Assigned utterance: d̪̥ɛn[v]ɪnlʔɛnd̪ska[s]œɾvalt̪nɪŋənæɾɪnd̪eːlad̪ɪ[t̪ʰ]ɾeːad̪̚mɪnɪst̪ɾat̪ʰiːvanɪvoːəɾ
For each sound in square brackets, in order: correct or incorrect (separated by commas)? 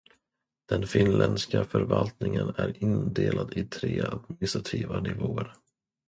incorrect, incorrect, correct